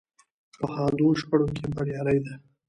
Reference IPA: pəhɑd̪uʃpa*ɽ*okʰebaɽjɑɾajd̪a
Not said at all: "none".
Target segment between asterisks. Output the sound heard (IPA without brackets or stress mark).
ɽ